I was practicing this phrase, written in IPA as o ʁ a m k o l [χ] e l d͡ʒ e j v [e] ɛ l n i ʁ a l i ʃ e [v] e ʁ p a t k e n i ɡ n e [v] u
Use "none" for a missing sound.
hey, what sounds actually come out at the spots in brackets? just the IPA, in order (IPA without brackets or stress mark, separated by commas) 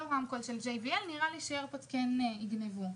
ʃ, i, none, v